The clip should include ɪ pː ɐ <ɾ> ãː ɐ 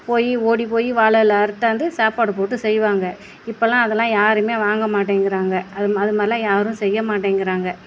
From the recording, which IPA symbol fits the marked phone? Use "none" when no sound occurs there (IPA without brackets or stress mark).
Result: l